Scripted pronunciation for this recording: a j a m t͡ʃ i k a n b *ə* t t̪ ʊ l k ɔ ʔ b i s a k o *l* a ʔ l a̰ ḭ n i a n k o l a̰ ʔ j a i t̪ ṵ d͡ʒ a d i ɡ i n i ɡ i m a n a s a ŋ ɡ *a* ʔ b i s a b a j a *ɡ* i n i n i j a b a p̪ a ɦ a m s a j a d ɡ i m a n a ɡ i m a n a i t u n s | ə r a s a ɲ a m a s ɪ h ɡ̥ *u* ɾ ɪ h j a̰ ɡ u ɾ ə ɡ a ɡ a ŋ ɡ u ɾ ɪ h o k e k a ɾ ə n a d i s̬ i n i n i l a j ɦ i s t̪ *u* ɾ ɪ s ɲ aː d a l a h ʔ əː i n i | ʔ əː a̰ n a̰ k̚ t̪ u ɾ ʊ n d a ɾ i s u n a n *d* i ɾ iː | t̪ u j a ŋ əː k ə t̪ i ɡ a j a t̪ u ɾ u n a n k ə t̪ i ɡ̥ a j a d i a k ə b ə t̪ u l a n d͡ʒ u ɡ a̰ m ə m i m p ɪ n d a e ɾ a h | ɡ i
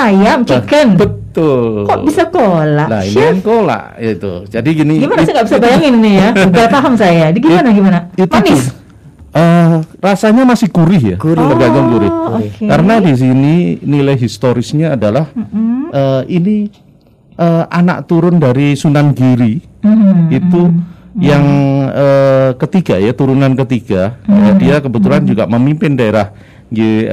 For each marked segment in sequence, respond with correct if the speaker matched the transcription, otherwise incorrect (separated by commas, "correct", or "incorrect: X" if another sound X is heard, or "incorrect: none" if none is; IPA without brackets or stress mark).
correct, correct, correct, incorrect: ŋ, correct, incorrect: o, incorrect: ɡ